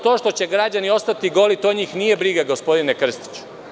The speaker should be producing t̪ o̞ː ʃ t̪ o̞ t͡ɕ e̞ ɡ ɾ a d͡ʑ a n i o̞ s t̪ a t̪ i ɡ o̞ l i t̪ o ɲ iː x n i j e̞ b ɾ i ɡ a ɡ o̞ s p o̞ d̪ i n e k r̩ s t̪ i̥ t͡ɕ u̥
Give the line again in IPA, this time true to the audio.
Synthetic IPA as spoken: t̪ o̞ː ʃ t̪ o̞ t͡ɕ e̞ ɡ ɾ a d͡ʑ a n i o̞ s t̪ a t̪ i ɡ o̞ l i t̪ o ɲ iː x n i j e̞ b ɾ i ɡ a ɡ o̞ s p o̞ d̪ i n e k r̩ s t̪ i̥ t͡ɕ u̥